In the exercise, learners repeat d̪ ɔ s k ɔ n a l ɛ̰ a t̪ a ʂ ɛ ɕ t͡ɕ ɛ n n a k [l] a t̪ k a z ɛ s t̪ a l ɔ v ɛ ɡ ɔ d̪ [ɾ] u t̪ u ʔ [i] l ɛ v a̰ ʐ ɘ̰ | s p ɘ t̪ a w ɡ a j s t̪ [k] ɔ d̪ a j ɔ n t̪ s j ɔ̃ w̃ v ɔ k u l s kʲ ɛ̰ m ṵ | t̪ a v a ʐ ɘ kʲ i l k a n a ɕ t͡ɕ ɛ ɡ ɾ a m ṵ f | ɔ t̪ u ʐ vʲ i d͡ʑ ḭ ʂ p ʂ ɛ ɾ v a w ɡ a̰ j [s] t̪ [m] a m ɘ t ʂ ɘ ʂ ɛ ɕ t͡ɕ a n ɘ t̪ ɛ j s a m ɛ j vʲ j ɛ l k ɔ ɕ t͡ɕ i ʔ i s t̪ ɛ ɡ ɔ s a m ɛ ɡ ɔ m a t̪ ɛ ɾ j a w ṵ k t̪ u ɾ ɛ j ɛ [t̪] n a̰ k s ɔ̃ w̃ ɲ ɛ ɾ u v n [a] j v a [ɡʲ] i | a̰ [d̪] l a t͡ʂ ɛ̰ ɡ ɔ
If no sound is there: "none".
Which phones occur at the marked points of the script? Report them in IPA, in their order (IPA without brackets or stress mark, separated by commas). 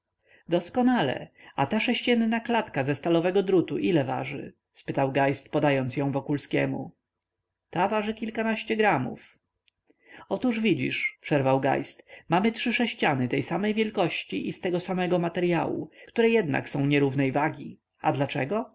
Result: l, ɾ, i, p, s, m, d̪, ɛ, ɡʲ, d̪